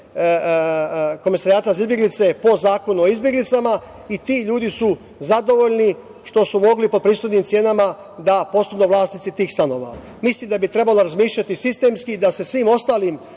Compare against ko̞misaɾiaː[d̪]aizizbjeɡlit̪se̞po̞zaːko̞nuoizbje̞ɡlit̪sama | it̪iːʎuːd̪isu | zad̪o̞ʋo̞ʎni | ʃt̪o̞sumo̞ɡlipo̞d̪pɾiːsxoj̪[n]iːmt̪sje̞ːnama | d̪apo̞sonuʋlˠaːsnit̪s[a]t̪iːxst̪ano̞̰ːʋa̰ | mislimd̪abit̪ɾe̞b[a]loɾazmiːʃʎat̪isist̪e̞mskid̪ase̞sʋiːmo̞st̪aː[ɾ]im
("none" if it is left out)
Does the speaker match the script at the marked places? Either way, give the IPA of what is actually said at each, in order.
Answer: t̪, n, i, a, l

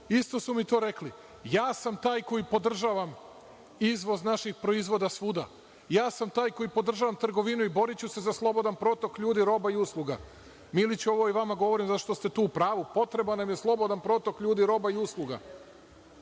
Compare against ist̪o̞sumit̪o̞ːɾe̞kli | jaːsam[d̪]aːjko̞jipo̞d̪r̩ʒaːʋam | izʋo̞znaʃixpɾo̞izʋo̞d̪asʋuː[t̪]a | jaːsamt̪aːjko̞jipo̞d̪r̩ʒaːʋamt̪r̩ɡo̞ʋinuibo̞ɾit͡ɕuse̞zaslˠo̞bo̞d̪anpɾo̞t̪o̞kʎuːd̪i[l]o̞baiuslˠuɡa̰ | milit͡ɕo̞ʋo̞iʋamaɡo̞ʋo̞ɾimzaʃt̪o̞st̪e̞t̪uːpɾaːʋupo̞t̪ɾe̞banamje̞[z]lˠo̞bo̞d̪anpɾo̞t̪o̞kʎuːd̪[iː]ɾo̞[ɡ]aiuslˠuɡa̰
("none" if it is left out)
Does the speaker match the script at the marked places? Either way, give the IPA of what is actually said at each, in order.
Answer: t̪, d̪, ɾ, s, i, b

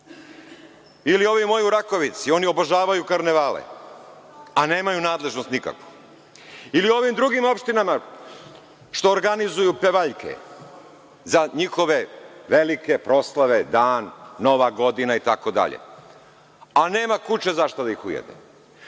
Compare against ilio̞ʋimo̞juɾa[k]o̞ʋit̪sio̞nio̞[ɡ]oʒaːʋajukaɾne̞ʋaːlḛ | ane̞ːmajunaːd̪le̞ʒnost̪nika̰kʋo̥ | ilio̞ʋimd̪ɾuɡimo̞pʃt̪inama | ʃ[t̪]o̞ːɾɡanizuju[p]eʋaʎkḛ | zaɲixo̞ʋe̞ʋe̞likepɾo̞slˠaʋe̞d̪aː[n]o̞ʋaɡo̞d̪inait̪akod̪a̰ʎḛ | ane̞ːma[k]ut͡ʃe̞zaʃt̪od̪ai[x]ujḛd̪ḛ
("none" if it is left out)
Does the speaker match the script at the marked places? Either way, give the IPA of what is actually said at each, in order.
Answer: k, b, t̪, p, nː, k, x

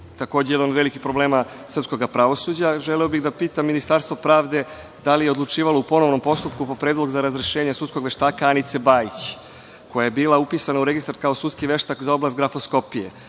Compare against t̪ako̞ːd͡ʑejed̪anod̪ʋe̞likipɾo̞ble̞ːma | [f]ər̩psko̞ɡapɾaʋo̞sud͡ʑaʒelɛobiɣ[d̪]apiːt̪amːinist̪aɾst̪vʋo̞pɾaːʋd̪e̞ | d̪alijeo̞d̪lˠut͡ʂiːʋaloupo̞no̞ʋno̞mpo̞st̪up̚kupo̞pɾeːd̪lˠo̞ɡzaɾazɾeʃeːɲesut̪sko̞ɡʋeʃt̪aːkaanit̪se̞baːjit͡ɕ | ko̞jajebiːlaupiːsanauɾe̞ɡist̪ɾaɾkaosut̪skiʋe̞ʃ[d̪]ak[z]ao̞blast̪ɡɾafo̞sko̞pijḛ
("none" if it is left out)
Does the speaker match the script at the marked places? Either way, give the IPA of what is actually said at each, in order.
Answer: s, d̪, t̪, z

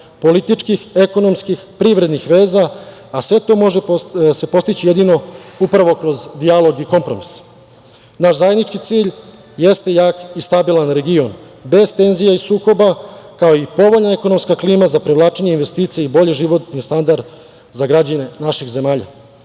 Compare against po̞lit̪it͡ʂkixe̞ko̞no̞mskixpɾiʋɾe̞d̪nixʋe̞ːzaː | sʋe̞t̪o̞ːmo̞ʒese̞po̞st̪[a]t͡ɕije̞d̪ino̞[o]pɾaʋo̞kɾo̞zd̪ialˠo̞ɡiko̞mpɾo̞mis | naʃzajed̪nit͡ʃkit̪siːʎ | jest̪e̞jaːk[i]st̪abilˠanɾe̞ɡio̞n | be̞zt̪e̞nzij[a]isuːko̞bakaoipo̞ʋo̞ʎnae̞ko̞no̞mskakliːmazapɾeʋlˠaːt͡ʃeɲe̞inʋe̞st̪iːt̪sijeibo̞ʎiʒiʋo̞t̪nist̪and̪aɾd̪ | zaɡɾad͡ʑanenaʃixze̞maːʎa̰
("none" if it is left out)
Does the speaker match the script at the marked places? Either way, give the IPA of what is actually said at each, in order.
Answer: i, u, i, a

